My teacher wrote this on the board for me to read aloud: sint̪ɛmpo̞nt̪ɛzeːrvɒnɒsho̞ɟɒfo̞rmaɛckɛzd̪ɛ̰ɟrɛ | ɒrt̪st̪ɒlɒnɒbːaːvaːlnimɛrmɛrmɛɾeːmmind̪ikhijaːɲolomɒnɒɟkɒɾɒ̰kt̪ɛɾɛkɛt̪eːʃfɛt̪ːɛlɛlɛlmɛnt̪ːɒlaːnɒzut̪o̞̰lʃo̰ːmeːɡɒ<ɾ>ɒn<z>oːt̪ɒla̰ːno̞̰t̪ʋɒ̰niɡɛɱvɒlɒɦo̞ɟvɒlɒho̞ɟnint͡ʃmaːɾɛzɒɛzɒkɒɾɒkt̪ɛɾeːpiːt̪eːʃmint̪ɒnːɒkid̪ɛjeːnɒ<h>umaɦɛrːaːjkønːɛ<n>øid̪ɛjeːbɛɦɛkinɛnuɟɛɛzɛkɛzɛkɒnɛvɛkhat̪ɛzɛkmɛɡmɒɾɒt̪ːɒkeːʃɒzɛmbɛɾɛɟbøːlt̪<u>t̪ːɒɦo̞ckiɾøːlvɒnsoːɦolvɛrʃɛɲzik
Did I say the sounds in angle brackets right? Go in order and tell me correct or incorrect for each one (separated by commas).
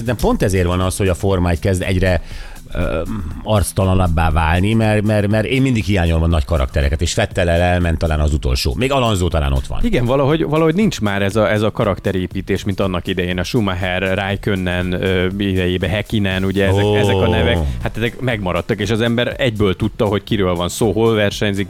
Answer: incorrect, correct, incorrect, correct, correct